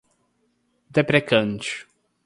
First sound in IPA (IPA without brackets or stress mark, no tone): d̪